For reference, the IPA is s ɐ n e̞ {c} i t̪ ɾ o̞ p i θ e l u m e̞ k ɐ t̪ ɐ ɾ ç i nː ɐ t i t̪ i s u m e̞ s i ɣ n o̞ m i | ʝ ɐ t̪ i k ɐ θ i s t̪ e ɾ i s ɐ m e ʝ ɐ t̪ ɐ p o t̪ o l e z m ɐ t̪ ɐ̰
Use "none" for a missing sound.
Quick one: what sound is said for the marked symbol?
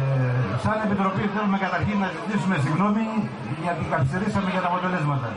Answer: p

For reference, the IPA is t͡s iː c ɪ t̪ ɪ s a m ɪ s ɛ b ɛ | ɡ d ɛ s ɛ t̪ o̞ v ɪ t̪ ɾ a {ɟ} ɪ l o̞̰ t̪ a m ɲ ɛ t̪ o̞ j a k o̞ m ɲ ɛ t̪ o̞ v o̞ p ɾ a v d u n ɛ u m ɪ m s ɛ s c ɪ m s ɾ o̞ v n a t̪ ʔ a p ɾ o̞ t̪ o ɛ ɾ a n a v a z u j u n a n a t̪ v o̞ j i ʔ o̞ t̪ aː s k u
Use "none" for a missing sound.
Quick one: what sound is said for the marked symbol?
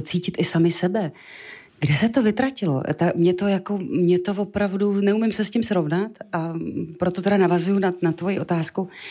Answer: c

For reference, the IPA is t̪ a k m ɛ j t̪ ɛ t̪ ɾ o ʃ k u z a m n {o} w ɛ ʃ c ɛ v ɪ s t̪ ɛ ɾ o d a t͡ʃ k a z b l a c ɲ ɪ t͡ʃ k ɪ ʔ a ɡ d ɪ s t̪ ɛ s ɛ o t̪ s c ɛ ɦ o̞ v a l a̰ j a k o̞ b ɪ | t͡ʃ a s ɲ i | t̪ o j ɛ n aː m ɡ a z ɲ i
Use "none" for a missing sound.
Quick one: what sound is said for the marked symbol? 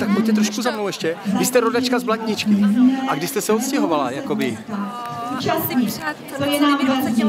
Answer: o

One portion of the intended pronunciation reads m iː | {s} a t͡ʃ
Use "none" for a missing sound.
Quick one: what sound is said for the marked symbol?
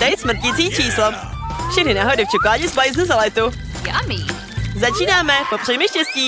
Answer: z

